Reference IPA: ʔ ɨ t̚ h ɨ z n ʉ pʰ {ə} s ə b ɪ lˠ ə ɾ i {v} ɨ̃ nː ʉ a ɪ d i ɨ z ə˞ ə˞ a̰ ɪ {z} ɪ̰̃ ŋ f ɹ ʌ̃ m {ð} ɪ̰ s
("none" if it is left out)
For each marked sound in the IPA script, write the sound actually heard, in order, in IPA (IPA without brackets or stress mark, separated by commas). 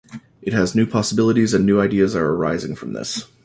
ɑ, z, z, ð